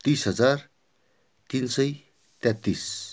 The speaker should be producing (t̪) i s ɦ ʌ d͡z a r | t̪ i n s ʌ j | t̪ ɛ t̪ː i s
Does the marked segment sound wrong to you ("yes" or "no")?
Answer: no